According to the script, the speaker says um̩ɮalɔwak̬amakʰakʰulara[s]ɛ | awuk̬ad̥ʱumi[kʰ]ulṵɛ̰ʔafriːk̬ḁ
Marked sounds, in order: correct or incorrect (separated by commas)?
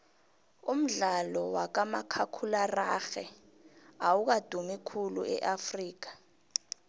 incorrect, correct